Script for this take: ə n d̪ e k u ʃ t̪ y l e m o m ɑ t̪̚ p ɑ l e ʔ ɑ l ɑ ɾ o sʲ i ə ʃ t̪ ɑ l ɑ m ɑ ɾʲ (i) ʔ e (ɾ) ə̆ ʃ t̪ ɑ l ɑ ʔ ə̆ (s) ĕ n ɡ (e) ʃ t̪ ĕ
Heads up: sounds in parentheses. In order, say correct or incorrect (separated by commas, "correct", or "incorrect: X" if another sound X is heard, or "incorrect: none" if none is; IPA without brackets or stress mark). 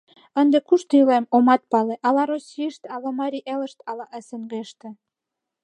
correct, incorrect: l, correct, correct